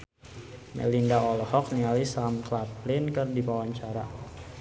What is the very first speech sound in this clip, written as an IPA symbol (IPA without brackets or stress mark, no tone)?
m